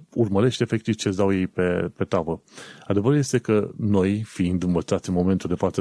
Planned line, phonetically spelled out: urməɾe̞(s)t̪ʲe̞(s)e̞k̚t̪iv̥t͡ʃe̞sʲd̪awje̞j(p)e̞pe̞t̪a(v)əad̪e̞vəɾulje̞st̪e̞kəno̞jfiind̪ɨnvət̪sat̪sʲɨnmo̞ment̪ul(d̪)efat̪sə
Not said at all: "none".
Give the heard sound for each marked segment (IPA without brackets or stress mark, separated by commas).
ʃ, f, p, v, d̪